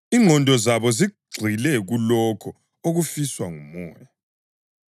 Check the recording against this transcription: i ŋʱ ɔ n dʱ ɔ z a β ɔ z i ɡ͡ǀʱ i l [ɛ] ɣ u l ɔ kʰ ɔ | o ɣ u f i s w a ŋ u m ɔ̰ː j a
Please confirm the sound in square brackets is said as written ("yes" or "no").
yes